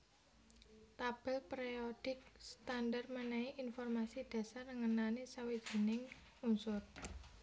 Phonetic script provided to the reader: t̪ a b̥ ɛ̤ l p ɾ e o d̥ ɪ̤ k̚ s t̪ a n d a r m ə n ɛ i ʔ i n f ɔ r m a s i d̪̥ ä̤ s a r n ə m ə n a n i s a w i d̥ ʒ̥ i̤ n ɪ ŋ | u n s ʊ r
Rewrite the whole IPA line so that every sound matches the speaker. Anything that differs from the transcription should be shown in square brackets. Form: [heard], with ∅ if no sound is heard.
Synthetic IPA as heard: t̪ a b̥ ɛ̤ l p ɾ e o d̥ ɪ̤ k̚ s t̪ a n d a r m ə n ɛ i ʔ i n f ɔ r m a s i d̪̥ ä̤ s a r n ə [ŋ] ə n a n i s a w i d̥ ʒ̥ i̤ n ɪ ŋ | u n s ʊ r